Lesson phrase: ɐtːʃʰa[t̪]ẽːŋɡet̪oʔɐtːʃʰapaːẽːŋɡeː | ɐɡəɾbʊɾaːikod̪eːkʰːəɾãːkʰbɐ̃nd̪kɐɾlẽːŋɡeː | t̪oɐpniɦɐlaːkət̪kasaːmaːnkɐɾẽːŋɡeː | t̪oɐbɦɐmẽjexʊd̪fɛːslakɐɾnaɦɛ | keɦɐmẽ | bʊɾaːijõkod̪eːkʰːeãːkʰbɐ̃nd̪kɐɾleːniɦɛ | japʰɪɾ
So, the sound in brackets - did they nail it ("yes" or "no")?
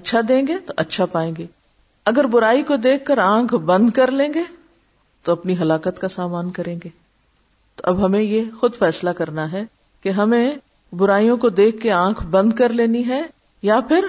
no